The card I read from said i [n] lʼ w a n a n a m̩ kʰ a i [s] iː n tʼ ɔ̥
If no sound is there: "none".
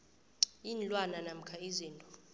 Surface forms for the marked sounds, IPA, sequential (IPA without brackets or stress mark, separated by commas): n, z